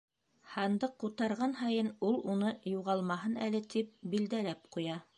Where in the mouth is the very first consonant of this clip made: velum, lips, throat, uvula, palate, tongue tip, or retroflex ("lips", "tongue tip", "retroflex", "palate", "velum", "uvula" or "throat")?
throat